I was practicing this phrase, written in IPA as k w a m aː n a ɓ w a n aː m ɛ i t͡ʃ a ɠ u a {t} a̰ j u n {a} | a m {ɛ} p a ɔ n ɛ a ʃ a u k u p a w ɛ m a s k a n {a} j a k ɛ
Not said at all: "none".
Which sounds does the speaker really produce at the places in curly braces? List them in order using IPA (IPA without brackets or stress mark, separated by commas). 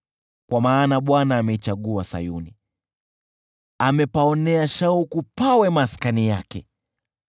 s, i, ɛ, i